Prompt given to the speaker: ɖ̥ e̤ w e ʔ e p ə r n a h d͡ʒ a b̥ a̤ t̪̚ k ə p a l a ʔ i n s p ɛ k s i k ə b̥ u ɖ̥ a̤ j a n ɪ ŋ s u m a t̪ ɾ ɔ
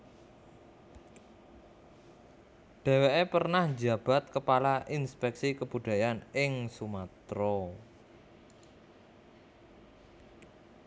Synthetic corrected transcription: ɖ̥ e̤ w e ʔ e p ə r n a h d͡ʒ a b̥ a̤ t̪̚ k ə p a l a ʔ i n s p ɛ k s i k ə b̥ u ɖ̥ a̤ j a n ɪ ŋ s u m a t̪ ɾ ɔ